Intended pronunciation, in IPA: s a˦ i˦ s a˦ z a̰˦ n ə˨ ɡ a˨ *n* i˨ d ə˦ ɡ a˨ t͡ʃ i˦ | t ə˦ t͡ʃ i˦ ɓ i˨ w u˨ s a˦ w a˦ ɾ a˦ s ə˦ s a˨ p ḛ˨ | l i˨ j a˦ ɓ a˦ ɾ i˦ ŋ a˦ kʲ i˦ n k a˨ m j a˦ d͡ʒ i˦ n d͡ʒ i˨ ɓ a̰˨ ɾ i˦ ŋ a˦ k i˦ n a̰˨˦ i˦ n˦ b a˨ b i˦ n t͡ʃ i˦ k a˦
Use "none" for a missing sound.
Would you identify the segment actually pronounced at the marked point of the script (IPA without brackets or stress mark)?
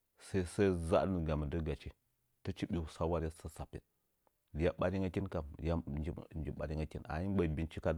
m